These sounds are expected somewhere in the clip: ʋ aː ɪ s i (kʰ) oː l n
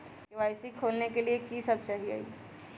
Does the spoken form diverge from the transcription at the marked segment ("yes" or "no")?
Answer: no